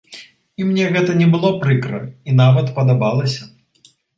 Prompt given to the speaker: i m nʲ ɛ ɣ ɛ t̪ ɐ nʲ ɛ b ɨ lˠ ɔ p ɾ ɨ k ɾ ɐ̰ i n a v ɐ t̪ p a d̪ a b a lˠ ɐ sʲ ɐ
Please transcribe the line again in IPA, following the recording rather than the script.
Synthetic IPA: i m nʲ ɛ ɣ ɛ t̪ ɐ nʲ ɛ b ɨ lˠ ɔ p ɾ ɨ k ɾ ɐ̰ i n a v ɐ t̪ p ɐ d̪ a b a lˠ ɐ sʲ ɐ